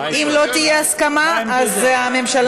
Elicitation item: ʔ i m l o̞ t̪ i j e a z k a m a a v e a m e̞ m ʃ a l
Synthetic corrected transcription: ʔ i m l o̞ t̪ i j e a s k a m a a z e a m e̞ m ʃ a l